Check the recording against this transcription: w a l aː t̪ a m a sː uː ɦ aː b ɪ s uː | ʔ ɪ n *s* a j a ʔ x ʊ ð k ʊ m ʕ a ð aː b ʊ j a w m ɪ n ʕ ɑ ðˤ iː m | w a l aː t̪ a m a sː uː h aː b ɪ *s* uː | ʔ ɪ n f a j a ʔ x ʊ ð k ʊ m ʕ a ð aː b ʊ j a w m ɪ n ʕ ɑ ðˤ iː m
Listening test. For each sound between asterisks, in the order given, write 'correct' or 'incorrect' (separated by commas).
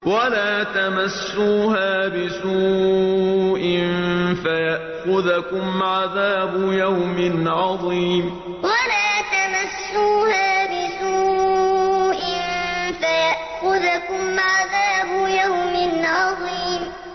incorrect, correct